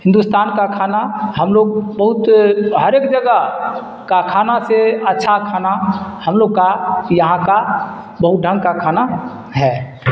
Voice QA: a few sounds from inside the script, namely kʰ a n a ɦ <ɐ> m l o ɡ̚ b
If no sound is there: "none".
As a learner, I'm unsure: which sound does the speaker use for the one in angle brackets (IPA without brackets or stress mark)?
ə